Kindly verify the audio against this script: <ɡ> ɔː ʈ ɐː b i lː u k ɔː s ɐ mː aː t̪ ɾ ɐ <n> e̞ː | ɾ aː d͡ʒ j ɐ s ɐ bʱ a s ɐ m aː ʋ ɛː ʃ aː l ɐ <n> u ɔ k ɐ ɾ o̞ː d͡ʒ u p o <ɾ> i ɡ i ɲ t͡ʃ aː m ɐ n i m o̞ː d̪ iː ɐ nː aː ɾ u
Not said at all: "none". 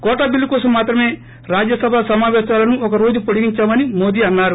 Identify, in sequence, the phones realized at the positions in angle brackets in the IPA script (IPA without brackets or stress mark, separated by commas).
k, m, n, ɽ